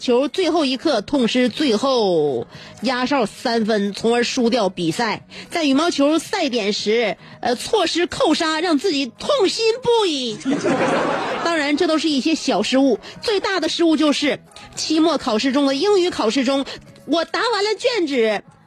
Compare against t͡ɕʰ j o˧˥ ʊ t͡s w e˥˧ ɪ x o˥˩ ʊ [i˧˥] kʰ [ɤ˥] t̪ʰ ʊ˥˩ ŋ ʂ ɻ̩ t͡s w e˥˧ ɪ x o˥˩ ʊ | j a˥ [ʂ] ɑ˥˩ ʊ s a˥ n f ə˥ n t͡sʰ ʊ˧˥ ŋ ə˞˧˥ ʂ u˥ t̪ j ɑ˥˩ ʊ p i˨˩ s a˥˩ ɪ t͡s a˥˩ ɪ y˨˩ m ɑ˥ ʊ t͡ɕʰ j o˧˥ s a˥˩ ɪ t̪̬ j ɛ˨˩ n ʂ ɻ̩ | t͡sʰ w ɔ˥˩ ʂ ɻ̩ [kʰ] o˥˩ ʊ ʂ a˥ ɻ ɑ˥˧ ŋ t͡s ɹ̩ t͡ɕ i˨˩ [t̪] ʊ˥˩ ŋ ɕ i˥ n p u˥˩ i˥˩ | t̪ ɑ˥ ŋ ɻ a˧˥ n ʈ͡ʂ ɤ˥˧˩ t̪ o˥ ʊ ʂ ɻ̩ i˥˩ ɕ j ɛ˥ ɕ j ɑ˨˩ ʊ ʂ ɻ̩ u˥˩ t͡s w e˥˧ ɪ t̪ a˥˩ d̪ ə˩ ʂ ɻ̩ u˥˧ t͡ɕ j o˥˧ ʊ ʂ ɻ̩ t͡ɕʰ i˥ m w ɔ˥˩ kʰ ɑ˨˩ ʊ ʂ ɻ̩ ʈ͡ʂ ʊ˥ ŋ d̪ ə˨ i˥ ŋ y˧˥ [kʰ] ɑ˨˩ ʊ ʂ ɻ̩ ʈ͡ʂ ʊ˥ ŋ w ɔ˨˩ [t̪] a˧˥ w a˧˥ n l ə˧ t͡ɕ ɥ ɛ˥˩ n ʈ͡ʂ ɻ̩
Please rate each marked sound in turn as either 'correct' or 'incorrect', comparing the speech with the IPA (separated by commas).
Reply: correct, incorrect, correct, correct, incorrect, correct, correct